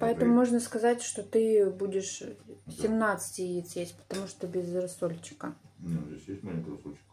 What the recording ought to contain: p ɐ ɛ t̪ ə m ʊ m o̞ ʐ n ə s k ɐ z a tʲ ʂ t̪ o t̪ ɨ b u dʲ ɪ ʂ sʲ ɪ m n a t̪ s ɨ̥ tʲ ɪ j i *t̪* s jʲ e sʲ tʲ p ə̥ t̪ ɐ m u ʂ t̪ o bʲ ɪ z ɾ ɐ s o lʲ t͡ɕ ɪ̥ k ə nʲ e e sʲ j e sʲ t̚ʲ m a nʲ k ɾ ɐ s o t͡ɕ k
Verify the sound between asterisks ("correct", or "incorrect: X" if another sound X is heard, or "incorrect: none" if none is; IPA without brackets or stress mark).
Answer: correct